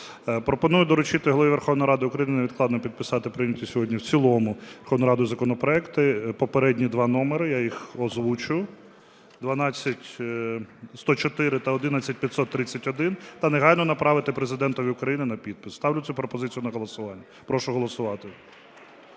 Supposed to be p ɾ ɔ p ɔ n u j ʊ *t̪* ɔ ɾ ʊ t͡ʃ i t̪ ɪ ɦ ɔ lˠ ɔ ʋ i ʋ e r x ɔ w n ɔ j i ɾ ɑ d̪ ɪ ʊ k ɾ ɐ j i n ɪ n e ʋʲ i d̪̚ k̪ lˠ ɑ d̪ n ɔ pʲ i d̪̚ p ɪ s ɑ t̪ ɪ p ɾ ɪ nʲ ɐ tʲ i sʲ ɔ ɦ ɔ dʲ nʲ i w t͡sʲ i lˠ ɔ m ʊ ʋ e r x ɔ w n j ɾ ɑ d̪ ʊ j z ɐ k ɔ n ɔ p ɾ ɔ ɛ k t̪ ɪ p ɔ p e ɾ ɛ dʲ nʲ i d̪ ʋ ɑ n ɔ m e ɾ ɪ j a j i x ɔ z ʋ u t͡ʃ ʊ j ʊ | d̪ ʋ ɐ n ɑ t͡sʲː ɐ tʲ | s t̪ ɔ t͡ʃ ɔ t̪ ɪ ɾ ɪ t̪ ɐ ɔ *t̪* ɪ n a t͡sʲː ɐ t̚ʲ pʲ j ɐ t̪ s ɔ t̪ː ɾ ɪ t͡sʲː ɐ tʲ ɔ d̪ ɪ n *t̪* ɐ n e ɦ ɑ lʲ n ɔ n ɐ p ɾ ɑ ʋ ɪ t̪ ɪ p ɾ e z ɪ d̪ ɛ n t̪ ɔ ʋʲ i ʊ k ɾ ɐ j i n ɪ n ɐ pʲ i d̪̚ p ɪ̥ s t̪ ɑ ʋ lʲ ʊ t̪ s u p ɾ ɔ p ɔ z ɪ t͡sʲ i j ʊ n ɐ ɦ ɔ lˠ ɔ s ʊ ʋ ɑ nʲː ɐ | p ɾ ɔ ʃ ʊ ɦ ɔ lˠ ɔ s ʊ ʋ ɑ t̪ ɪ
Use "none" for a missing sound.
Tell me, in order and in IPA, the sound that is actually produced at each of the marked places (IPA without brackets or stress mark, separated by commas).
d̪, d̪, t̪